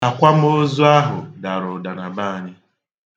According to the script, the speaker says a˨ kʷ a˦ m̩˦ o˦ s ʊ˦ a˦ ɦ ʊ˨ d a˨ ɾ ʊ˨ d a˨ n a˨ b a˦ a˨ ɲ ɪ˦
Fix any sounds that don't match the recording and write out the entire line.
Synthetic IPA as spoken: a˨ kʷ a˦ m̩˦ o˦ z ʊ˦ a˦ ɦ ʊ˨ d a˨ ɾ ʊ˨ d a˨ n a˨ b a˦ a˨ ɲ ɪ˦